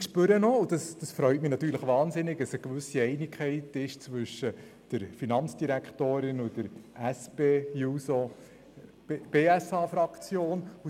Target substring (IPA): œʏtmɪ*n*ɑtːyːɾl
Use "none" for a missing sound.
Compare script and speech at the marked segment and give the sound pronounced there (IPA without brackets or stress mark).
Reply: n